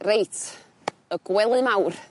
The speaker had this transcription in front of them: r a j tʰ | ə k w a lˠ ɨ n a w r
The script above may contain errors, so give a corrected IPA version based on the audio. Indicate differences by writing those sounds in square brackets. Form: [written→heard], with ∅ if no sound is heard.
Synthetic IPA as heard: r [a→e] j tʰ | ə [k→ɡ] w [a→ɛ] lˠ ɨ [n→m] a w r